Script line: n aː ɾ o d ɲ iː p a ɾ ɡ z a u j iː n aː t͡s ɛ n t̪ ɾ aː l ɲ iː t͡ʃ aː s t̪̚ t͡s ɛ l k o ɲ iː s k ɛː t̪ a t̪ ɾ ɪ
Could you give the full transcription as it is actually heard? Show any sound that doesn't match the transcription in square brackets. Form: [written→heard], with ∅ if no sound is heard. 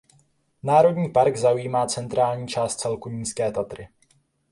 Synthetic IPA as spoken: n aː ɾ o d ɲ iː p a ɾ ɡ z a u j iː [n→m] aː t͡s ɛ n t̪ ɾ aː l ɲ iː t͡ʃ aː s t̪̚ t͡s ɛ l k [o→u] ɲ iː s k ɛː t̪ a t̪ ɾ ɪ